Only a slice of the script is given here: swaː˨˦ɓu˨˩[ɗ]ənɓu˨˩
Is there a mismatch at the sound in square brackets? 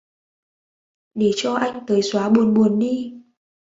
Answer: yes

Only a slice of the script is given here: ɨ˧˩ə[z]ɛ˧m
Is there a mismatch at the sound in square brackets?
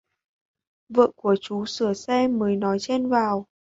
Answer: yes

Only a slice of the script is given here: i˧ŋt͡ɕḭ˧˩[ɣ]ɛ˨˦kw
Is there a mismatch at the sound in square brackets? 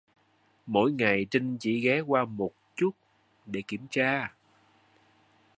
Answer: no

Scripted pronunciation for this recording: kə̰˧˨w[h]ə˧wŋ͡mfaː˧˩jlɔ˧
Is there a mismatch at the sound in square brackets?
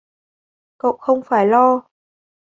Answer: yes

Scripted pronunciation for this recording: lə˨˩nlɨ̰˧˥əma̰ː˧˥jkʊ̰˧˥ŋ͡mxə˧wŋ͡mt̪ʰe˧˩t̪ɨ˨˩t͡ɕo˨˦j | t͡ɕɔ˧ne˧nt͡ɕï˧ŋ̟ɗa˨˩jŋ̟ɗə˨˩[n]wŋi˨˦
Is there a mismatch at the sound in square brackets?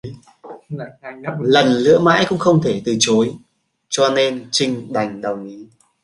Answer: yes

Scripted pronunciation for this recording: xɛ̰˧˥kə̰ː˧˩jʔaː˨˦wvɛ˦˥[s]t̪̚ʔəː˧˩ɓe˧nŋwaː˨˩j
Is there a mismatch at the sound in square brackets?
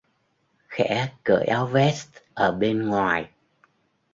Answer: no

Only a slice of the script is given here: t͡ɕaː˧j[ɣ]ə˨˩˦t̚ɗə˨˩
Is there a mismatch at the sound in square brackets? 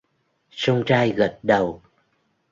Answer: no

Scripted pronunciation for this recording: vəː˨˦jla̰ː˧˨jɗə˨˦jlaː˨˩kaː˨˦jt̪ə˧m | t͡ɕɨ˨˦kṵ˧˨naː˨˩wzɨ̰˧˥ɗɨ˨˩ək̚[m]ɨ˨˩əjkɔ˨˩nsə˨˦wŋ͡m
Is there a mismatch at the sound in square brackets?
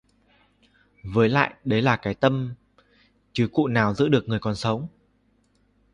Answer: yes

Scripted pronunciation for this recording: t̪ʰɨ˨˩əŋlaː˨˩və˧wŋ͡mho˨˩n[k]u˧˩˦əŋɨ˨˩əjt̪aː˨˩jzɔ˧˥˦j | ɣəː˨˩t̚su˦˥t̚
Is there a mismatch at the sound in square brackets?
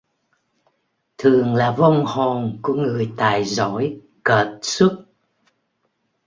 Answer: no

